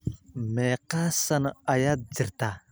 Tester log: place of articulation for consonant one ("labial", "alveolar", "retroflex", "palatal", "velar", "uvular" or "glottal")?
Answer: labial